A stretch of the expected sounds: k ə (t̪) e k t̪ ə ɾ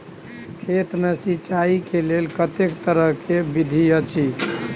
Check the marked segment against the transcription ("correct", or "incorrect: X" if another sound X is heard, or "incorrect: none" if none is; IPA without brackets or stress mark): correct